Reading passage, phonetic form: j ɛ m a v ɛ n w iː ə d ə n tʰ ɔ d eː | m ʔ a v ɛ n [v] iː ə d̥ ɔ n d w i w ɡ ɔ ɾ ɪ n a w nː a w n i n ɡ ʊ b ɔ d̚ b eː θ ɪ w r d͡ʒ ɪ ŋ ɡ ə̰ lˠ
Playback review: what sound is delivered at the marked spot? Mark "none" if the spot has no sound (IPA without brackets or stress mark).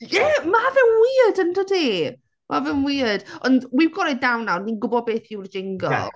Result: w